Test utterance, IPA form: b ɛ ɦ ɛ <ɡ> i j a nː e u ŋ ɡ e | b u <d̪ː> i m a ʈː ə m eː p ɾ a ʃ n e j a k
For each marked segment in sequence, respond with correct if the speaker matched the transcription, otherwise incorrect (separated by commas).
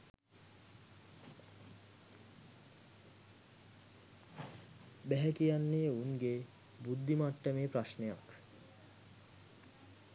incorrect, correct